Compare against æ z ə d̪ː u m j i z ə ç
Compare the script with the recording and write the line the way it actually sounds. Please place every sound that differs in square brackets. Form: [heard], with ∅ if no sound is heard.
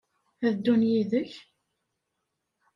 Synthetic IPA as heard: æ [ð] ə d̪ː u [n] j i [ð] ə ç